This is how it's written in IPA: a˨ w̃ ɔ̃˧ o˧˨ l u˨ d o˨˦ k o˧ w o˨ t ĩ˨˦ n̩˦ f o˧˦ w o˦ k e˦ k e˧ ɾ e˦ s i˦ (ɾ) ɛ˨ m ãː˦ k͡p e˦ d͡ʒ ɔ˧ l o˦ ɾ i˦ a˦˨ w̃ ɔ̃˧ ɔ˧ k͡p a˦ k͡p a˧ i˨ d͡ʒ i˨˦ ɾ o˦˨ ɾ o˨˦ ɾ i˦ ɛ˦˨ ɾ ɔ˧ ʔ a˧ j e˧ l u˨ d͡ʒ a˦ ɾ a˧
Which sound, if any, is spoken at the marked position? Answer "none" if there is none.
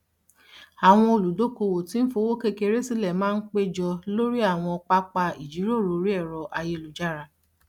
l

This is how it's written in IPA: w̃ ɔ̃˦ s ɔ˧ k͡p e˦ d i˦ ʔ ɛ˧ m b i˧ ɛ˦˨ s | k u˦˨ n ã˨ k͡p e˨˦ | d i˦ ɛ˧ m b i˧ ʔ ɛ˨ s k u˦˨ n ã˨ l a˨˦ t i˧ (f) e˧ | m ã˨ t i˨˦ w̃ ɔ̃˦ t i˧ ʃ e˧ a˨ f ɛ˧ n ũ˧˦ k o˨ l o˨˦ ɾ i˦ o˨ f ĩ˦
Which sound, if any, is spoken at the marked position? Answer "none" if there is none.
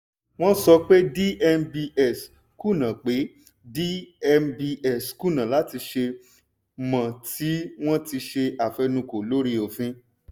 ʃ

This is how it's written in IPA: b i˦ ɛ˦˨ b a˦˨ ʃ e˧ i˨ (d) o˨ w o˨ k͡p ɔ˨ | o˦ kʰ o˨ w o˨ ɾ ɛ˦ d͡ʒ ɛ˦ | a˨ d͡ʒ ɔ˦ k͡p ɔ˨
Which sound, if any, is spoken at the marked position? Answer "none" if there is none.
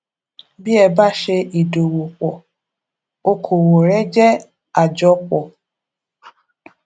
d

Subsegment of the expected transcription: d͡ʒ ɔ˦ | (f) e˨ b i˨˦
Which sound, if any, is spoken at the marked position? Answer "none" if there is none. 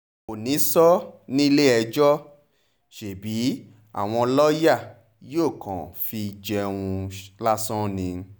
ʃ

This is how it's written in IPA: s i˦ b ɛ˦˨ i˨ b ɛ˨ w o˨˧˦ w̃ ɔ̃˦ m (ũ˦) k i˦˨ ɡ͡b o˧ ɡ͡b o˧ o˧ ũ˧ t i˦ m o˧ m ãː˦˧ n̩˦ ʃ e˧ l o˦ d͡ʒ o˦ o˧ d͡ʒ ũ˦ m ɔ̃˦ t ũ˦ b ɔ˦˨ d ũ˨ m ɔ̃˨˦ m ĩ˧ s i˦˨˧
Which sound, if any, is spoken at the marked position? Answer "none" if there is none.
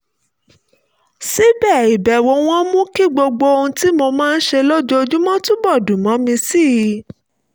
ũ˦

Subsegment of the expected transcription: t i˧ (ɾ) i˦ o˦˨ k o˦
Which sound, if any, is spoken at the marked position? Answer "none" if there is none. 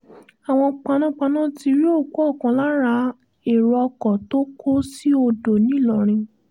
ɾ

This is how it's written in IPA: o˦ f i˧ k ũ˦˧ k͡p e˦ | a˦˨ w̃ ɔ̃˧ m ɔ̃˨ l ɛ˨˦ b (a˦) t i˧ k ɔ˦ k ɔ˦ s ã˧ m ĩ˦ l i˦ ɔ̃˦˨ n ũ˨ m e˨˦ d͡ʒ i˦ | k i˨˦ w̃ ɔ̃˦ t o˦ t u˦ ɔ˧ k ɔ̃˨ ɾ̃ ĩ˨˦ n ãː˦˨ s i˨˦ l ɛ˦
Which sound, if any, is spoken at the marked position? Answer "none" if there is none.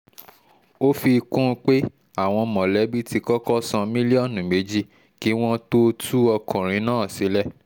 i˦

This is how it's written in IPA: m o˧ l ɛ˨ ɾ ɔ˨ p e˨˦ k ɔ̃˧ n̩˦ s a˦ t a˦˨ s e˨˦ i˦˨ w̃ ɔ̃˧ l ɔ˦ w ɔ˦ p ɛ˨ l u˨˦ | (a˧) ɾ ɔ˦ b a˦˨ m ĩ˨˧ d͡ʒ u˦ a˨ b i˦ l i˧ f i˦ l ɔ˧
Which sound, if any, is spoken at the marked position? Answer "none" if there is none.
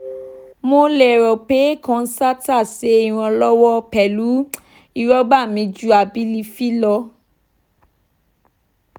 i˧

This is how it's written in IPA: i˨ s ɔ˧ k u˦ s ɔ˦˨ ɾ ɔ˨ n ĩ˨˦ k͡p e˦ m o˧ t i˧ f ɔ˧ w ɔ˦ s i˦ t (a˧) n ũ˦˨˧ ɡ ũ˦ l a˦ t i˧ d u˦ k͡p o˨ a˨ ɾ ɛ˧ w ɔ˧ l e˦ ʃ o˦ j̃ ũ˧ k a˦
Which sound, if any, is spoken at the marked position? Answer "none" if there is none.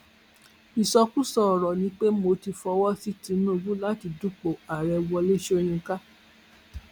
i˧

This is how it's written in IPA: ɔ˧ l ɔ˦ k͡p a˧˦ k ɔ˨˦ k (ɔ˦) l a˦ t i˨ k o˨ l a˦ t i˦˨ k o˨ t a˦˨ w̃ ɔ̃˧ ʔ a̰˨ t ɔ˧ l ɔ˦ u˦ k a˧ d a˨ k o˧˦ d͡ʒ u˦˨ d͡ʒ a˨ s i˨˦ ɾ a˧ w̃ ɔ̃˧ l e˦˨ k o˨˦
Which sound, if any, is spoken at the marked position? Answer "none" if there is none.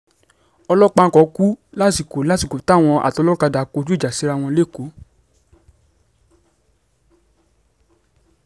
u˦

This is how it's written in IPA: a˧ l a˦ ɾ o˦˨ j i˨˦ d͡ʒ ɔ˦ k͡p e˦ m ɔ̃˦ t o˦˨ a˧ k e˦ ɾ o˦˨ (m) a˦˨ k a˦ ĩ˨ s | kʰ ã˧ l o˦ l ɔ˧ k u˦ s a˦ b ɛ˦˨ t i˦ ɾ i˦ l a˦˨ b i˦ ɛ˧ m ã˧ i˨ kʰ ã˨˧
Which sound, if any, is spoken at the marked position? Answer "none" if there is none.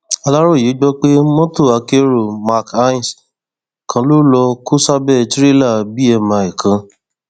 m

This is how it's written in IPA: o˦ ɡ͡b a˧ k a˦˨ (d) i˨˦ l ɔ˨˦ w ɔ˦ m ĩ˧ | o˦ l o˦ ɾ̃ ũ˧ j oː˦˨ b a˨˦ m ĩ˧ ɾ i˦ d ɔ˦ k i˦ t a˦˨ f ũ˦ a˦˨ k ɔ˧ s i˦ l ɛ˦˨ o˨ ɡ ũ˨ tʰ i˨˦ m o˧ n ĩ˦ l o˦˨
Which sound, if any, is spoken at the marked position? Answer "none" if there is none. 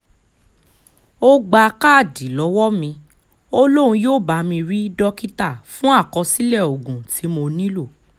d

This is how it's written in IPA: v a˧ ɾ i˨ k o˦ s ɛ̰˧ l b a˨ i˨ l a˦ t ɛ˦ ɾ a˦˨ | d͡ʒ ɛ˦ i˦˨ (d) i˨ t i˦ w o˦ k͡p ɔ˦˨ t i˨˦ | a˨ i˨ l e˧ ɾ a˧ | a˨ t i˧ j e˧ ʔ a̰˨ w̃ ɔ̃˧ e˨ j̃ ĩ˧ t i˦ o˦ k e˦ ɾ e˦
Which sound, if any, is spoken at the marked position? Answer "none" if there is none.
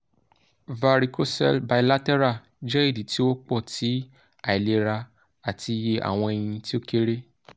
d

